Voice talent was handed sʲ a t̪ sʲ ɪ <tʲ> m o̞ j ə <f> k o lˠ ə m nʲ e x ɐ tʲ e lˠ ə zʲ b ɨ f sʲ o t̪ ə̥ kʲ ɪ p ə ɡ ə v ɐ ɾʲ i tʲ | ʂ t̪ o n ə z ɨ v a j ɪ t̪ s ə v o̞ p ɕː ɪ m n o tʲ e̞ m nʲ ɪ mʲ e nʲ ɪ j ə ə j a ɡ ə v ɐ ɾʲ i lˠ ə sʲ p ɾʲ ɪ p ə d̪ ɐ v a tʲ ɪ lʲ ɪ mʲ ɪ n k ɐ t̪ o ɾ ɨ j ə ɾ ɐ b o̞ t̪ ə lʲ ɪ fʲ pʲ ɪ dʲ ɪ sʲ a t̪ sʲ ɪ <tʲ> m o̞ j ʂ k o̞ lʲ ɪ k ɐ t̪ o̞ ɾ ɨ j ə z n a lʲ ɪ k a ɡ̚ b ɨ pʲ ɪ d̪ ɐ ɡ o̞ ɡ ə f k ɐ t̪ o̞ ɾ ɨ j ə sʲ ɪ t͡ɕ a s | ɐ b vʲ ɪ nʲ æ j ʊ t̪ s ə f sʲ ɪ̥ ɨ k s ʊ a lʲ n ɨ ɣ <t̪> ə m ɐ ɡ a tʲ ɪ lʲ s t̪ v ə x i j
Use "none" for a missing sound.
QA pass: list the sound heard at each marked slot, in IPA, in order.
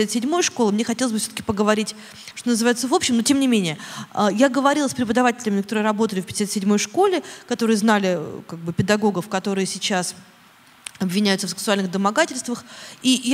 dʲ, ʂ, dʲ, d̪

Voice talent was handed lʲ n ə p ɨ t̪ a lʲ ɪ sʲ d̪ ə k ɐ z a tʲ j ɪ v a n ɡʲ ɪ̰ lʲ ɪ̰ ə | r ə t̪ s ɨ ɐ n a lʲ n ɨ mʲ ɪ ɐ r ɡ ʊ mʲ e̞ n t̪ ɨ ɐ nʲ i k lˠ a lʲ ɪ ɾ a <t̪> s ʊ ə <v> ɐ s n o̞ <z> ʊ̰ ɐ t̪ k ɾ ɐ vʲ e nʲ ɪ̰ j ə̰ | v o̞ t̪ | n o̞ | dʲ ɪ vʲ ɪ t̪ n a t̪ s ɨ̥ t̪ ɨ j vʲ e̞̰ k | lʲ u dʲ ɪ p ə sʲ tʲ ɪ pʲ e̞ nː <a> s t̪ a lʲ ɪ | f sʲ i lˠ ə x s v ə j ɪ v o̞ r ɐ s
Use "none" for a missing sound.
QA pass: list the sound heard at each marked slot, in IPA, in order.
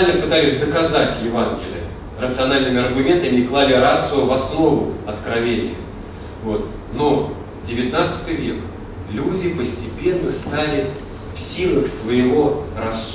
t̪, v, v, ə

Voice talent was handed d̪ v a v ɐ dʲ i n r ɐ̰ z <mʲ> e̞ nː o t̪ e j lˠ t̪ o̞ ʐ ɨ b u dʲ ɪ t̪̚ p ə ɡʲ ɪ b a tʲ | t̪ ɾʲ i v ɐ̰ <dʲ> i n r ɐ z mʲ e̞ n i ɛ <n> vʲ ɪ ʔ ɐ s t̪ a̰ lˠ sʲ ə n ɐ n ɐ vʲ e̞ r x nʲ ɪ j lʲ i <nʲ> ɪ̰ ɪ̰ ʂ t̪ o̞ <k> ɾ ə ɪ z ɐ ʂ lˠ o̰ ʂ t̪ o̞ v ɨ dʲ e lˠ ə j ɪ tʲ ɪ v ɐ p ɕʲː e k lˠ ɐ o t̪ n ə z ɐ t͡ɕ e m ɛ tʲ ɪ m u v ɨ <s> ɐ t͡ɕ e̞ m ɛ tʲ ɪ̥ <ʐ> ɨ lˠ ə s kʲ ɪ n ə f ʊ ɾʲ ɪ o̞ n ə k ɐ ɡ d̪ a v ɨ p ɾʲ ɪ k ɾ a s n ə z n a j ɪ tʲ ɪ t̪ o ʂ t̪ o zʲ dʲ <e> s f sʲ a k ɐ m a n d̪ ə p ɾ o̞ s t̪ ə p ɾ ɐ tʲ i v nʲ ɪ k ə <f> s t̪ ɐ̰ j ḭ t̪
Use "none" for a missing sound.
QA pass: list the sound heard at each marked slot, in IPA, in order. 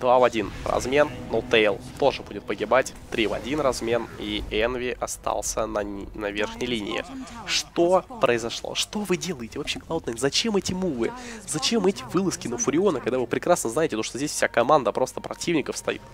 mʲ, dʲ, n, nʲ, p, z, v, e, f

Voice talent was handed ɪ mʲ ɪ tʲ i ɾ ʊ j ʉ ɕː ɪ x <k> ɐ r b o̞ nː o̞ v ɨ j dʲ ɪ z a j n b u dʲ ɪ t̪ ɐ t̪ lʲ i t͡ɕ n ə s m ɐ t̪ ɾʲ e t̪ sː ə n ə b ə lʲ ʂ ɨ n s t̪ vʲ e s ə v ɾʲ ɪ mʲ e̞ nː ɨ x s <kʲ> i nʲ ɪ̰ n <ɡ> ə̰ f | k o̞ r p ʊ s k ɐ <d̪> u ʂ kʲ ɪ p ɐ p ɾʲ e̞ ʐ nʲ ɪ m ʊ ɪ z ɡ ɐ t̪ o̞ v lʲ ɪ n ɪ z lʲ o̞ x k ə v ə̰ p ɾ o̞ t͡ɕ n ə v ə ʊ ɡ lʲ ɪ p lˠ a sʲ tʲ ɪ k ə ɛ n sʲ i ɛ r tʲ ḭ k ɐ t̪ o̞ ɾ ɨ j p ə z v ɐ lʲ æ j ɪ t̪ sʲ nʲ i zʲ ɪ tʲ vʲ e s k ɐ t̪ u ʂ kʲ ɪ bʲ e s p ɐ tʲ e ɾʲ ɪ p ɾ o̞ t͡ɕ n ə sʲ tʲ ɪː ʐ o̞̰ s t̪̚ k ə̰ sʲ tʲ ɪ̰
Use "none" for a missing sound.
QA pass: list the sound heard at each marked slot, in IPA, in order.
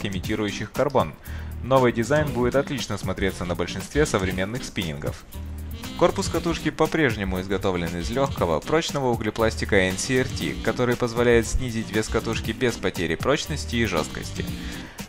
k, pʲ, ɡ, t̪

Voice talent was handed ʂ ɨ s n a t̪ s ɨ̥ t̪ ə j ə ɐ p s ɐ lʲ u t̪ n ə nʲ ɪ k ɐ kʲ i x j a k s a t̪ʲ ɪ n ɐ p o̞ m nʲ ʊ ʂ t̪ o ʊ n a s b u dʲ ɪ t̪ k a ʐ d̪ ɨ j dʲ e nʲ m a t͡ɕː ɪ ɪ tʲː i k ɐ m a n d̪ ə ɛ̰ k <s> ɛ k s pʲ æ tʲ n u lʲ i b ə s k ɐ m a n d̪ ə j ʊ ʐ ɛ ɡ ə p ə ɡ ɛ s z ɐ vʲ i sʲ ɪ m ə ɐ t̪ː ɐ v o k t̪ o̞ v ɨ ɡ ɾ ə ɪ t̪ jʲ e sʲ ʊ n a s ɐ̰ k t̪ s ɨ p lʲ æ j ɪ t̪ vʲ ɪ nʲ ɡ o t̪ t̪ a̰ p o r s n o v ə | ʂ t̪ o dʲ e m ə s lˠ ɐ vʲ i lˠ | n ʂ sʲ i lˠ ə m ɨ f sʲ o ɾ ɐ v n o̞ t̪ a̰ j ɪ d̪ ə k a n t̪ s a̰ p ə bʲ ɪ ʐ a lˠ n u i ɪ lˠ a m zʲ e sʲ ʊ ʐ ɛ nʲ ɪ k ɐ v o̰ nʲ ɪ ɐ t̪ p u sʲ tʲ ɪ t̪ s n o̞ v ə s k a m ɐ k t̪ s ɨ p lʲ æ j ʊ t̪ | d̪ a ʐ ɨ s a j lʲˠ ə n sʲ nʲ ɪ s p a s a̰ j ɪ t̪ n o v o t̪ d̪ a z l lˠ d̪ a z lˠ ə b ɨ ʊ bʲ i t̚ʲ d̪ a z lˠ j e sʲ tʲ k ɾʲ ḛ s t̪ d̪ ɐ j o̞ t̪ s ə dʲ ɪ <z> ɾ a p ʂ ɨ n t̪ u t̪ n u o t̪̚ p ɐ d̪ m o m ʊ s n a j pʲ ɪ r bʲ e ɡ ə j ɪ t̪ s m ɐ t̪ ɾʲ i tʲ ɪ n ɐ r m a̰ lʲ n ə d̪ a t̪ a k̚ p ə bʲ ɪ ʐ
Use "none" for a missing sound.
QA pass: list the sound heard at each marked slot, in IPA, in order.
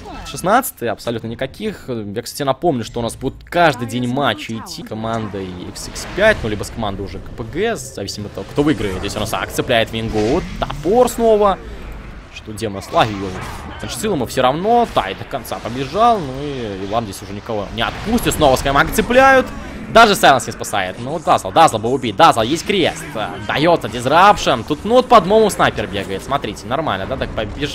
s, z

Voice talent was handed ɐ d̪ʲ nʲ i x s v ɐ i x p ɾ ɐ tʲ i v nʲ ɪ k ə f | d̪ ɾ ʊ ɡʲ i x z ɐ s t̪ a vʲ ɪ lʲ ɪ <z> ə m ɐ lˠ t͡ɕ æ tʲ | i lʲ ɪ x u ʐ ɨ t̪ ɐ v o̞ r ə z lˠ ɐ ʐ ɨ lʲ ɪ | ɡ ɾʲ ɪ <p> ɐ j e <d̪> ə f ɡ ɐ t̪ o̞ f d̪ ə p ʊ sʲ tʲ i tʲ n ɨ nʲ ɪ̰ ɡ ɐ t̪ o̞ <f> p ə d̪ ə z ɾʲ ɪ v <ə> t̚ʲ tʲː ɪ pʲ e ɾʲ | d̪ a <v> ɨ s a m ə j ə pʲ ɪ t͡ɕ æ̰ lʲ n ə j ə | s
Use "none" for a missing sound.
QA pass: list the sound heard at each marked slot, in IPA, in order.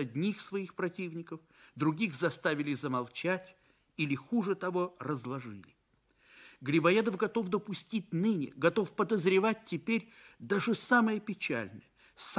z, b, d̪, f, a, ʐ

